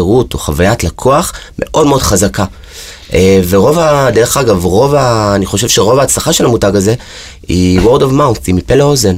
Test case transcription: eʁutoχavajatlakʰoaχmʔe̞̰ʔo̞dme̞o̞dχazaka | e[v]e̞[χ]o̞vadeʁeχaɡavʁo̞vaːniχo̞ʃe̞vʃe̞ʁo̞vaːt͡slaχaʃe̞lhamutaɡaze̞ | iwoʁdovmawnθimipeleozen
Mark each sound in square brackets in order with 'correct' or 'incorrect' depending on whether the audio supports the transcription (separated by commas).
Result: correct, incorrect